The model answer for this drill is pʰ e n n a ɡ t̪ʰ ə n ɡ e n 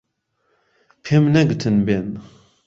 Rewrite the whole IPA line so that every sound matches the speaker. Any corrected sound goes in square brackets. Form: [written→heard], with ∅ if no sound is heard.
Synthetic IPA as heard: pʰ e [n→m] n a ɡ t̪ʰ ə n [ɡ→b] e n